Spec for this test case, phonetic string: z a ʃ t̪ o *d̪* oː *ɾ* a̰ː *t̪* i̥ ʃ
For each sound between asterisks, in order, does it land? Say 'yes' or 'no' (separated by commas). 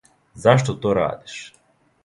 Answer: no, yes, no